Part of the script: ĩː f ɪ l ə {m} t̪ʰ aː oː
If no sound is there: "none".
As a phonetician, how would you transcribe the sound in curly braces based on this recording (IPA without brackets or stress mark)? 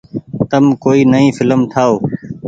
m